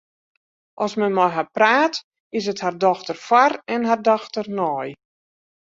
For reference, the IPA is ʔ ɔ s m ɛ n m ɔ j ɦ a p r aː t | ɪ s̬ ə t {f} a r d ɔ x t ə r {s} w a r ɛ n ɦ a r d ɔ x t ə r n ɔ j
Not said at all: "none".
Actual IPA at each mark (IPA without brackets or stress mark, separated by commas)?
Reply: h, f